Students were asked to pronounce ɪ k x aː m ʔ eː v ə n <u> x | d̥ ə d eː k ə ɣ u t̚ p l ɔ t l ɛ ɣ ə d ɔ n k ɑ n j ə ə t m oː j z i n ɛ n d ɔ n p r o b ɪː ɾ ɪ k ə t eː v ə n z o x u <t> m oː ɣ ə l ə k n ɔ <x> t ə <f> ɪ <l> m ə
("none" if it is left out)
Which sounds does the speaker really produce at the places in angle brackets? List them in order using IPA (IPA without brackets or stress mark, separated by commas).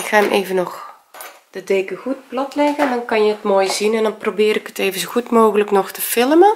ɔ, t, x, f, l